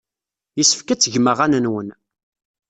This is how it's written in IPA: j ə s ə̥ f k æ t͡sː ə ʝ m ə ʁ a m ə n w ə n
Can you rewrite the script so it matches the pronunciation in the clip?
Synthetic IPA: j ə s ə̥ f k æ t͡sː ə ʝ m ə ʁ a n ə n w ə n